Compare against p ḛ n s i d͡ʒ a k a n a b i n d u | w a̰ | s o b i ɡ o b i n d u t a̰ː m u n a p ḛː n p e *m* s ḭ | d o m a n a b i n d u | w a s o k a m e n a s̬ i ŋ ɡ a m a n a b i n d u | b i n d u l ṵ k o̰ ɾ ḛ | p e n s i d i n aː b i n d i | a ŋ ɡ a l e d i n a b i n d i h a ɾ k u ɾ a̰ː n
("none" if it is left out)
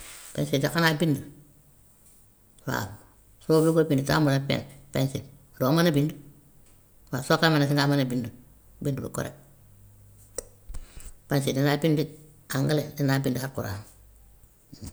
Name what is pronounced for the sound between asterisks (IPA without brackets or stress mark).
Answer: n